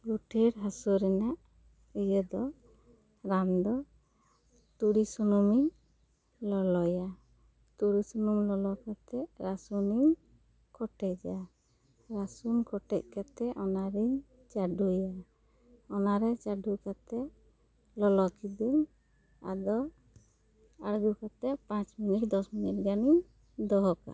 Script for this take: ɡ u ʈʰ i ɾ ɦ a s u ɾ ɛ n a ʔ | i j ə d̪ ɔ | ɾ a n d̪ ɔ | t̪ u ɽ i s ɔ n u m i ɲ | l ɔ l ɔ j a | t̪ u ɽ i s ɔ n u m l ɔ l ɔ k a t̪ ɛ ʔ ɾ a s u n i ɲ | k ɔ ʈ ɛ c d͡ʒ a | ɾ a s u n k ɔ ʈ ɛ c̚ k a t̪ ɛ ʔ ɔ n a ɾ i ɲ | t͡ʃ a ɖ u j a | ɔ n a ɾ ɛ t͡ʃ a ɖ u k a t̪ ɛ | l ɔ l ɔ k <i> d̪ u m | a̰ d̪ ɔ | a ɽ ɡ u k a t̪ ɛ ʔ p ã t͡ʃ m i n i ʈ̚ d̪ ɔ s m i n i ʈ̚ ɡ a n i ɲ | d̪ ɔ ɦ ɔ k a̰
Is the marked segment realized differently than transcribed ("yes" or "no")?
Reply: no